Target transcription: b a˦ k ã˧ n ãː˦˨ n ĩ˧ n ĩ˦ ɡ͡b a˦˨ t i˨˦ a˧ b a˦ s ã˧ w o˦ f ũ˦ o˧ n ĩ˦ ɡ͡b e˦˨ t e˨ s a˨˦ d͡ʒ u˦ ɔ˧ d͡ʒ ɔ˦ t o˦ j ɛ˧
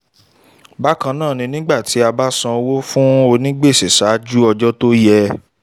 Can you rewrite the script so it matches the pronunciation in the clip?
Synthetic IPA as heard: b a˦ k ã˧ n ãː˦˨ n ĩ˧ n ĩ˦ ɡ͡b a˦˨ t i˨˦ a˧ b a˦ s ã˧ w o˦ f ũ˦ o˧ n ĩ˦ ɡ͡b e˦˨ s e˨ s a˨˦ d͡ʒ u˦ ɔ˧ d͡ʒ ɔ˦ t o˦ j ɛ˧

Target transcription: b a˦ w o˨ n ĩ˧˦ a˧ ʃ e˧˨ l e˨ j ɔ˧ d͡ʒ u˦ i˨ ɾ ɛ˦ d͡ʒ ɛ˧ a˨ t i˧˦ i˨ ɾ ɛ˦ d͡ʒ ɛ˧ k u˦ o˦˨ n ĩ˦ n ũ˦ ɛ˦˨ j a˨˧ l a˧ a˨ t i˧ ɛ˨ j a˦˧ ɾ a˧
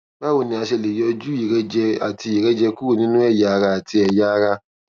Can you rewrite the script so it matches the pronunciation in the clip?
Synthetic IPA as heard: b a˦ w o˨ n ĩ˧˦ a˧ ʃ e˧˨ l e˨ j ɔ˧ d͡ʒ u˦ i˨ ɾ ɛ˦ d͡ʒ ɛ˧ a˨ t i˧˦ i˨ ɾ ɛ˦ d͡ʒ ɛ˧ k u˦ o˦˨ n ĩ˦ n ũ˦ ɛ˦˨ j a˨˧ ɾ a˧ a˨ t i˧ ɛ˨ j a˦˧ ɾ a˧

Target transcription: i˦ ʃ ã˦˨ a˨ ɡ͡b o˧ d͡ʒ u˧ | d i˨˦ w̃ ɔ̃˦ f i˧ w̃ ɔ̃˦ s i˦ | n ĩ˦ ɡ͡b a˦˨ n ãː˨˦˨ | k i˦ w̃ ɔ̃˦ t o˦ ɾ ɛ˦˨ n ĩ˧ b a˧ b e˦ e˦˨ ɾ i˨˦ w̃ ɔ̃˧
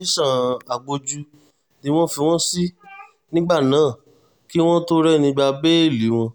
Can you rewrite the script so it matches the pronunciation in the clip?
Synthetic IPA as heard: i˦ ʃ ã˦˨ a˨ ɡ͡b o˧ d͡ʒ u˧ | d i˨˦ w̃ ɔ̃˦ f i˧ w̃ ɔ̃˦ s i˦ | n ĩ˦ ɡ͡b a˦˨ n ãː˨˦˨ | k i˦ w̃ ɔ̃˦ t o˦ ɾ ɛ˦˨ n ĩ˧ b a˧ b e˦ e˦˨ l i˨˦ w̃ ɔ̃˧

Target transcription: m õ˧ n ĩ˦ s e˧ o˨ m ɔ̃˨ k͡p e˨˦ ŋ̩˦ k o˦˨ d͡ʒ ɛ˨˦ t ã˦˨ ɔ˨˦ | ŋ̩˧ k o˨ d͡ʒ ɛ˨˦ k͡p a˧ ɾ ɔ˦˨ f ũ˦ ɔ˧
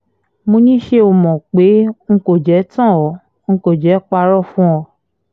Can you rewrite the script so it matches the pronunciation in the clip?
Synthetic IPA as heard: m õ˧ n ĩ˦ ʃ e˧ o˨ m ɔ̃˨ k͡p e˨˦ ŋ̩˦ k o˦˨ d͡ʒ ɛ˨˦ t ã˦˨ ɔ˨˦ | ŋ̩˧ k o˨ d͡ʒ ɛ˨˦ k͡p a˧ ɾ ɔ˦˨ f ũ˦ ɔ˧

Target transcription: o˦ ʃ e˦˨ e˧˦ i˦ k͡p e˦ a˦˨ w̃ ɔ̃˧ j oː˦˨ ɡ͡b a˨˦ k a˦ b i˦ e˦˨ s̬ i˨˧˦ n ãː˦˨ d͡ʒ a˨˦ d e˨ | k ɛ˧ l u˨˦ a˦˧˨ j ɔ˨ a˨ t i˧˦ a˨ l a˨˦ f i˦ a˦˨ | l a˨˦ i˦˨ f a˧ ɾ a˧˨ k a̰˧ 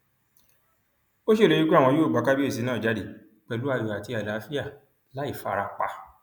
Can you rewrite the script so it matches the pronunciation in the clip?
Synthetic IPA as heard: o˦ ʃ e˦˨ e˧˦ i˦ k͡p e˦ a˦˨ w̃ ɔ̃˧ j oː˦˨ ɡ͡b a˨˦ k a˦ b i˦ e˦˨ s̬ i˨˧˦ n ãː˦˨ d͡ʒ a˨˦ d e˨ | k͡p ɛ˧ l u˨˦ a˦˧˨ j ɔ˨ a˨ t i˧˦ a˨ l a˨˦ f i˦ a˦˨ | l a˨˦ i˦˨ f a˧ ɾ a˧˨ k͡p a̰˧

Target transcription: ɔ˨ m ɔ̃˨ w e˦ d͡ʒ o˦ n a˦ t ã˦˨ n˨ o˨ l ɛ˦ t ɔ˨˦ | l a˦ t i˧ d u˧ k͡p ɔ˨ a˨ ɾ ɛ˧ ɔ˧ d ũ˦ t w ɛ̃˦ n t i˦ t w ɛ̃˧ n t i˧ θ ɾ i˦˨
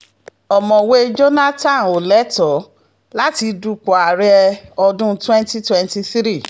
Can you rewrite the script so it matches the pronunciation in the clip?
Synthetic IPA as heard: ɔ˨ m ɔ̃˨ w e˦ d͡ʒ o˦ n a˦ t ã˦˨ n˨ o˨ l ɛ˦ t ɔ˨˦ | l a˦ t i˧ d u˧ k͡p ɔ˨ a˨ ɾ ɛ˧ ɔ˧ d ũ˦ t w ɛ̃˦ n t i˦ t w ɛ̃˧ n t i˧ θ ɾ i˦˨

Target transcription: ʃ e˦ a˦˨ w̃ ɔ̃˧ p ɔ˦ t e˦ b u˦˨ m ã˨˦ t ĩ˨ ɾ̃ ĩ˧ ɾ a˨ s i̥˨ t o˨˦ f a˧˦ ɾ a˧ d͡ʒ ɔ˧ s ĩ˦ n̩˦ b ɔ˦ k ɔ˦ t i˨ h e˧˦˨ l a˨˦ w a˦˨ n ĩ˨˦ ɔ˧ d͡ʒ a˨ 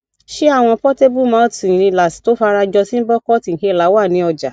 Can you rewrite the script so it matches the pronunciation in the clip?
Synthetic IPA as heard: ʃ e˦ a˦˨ w̃ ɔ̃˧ p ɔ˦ t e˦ b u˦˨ m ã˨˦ t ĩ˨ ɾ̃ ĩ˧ l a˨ s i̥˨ t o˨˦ f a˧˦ ɾ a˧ d͡ʒ ɔ˧ s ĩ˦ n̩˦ b ɔ˦ k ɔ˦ t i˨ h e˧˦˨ l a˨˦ w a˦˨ n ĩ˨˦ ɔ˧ d͡ʒ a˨

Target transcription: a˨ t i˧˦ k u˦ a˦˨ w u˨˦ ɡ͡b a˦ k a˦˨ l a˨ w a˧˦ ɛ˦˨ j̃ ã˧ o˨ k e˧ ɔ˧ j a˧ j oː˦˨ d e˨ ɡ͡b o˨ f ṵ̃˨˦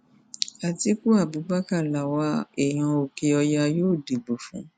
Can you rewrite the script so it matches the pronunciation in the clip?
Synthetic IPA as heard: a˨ t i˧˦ k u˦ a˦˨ b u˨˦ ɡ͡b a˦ k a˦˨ l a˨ w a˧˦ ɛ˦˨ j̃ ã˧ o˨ k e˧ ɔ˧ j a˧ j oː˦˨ d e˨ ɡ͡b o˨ f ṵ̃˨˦

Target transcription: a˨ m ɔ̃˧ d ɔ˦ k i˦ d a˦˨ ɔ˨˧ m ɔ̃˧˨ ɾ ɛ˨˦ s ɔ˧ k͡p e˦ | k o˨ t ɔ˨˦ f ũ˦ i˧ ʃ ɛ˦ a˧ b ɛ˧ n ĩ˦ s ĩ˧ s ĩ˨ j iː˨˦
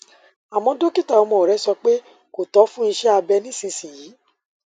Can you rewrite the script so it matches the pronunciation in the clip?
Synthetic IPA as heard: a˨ m ɔ̃˧ d o˦ k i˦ t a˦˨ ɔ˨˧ m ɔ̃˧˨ ɾ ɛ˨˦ s ɔ˧ k͡p e˦ | k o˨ t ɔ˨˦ f ũ˦ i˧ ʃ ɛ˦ a˧ b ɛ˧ n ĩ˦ s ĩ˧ s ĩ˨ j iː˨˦

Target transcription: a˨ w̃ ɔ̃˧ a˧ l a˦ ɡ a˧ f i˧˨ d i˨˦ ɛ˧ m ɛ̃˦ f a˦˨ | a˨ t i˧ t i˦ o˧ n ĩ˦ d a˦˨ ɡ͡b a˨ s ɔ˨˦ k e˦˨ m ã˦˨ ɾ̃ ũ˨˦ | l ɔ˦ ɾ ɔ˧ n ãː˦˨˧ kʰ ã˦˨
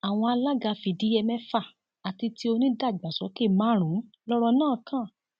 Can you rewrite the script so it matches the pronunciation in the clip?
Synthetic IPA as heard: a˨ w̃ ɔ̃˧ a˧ l a˦ ɡ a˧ f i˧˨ d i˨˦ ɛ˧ m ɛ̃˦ f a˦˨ | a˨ t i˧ t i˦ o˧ n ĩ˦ d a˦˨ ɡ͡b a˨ s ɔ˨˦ k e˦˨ m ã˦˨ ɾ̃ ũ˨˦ | l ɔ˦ ɾ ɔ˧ n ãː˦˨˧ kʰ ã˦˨

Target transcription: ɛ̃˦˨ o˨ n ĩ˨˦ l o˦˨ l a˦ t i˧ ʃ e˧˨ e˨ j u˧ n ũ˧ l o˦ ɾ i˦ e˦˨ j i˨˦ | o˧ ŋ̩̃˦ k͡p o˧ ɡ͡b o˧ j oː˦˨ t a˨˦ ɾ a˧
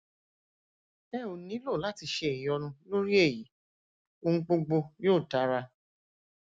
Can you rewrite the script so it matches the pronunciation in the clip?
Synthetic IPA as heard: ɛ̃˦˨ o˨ n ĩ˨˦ l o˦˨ l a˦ t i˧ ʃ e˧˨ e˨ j ɔ˧ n ũ˧ l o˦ ɾ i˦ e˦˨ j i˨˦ | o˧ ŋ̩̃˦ k͡p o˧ ɡ͡b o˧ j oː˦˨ t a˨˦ ɾ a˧

